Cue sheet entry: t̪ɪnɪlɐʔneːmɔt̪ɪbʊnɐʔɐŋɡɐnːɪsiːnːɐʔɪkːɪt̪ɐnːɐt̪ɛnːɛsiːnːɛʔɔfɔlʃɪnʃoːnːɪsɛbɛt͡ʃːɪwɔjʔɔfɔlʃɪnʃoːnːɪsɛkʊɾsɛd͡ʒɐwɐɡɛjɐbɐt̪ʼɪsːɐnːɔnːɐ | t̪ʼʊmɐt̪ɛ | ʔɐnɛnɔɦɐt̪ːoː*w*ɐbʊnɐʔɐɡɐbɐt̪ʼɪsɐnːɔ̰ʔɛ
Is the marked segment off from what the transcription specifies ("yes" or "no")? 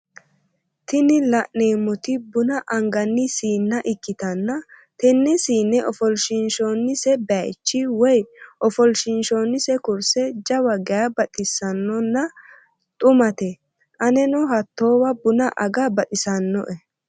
no